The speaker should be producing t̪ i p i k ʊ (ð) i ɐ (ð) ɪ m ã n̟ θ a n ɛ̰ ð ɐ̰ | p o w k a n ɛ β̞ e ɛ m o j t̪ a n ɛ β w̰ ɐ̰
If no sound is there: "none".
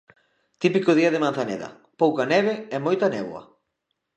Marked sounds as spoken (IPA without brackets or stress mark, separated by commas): ð, ð